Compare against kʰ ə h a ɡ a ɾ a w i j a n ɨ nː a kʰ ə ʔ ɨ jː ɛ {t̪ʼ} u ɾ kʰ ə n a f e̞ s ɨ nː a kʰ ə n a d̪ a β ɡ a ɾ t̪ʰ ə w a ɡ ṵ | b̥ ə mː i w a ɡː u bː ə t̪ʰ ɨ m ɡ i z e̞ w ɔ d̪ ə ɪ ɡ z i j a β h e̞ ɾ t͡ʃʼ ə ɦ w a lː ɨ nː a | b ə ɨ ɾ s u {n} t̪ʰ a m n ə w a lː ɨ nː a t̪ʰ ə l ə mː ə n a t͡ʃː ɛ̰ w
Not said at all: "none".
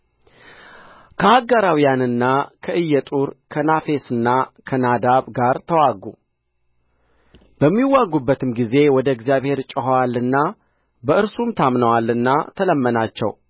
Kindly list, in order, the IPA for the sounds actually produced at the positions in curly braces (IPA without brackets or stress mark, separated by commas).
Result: t̪ʼ, m